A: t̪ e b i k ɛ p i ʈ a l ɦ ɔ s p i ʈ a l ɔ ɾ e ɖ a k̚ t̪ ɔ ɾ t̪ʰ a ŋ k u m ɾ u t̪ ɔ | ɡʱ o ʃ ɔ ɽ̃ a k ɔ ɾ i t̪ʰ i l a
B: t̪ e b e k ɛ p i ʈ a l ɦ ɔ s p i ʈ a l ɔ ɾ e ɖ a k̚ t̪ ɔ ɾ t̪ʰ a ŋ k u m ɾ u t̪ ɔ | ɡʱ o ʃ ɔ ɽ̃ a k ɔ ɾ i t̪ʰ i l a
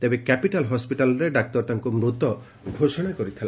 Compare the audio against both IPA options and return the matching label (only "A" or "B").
B